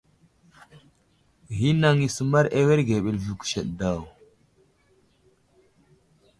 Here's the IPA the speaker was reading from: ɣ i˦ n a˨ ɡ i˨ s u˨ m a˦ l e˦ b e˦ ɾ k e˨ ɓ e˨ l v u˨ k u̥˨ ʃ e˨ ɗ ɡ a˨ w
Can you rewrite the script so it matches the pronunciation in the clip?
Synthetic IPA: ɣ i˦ n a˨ ŋ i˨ s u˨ m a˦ ɾ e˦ w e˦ ɾ ɡ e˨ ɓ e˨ l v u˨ k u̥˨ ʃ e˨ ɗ d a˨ w

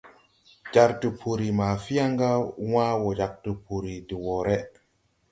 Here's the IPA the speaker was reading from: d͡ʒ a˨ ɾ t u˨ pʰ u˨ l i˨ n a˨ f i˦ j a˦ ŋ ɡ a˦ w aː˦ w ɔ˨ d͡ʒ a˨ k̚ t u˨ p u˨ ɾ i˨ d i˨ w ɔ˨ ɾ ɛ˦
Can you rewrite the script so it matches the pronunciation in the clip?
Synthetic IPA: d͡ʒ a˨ ɾ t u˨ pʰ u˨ ɾ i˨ m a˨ f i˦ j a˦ ŋ ɡ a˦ w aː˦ w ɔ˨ d͡ʒ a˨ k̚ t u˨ p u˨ ɾ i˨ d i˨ w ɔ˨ ɾ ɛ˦

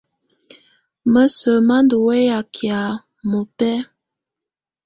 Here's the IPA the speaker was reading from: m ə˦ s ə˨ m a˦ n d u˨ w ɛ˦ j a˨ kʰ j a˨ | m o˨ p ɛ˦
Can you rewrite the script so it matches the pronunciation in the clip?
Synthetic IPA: m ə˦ s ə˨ m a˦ n d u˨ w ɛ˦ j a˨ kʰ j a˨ | m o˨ p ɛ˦

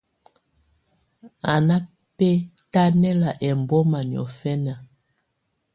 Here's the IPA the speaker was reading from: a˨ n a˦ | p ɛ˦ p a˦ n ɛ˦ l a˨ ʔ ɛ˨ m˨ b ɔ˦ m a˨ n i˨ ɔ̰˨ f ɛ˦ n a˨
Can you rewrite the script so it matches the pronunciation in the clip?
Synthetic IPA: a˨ n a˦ | p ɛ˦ t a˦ n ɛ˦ l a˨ ʔ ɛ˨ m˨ b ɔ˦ m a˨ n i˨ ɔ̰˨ f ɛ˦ n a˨

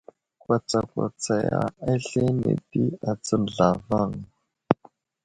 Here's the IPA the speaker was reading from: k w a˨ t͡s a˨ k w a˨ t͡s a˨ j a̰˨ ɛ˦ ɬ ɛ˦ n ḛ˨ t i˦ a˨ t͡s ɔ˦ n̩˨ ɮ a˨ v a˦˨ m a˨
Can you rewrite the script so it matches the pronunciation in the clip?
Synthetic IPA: k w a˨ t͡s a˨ k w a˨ t͡s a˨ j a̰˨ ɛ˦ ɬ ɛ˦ n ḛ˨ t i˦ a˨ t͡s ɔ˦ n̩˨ ɮ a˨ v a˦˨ ŋ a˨

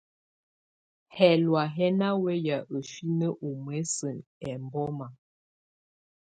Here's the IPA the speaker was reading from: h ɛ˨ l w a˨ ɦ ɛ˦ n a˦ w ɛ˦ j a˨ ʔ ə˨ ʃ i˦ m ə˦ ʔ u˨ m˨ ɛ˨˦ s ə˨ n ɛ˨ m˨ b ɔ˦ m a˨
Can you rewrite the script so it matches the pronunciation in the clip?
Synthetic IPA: h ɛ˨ l w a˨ ɦ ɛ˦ n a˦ w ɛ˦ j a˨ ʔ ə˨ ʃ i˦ n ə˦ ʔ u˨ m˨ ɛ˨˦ s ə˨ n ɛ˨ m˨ b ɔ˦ m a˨

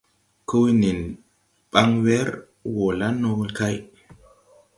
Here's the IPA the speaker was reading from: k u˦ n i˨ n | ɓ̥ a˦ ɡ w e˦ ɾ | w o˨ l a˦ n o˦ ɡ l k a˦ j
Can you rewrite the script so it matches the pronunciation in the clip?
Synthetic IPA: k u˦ n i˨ n | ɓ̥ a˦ ŋ w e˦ ɾ | w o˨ l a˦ n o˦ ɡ l k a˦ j

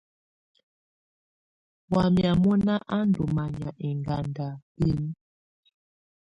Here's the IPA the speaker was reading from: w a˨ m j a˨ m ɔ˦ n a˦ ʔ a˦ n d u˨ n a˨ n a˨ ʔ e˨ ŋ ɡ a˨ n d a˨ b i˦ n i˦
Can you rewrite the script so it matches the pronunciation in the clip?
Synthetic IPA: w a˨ m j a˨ m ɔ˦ n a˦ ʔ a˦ n d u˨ m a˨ ɲ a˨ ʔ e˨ ŋ ɡ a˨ n d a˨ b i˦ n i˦

